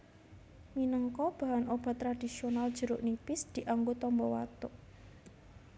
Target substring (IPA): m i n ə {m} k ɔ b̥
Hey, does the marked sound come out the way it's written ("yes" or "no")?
no